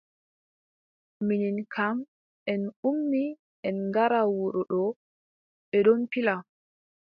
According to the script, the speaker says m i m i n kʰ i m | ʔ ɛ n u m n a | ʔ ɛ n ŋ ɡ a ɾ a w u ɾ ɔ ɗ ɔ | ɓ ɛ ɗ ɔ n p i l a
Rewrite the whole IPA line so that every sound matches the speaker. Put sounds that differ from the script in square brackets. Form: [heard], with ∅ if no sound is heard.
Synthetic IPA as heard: m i [n] i n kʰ [a] m | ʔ ɛ n u m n [i] | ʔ ɛ n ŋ ɡ a ɾ a w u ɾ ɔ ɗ ɔ | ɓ ɛ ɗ ɔ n p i l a